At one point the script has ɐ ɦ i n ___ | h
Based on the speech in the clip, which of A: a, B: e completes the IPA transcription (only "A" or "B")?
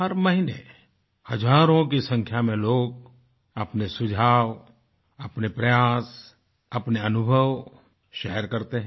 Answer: B